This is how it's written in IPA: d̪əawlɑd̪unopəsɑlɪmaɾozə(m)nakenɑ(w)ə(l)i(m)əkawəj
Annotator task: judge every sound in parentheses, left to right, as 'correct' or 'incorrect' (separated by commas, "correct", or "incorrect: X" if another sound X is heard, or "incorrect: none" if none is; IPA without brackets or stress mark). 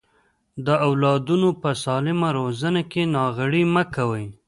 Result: incorrect: none, incorrect: ɣ, incorrect: ɽ, correct